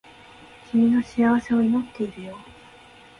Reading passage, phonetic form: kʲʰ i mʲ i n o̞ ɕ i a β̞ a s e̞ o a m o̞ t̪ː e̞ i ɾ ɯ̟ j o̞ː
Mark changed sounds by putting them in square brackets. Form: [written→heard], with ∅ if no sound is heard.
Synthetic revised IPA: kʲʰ i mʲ i n o̞ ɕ i a β̞ a s e̞ o [a→i] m o̞ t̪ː e̞ i ɾ ɯ̟ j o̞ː